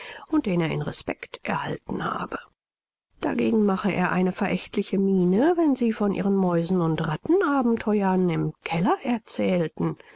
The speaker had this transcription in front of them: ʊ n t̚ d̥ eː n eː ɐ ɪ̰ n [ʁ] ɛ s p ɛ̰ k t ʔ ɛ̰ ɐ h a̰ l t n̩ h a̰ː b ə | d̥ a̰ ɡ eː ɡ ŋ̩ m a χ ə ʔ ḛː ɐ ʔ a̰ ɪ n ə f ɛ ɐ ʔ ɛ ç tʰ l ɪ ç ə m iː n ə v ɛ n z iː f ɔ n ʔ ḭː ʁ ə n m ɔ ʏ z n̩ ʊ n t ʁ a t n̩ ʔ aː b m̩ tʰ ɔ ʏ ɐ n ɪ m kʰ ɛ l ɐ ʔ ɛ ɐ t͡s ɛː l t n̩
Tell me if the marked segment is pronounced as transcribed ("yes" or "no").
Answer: yes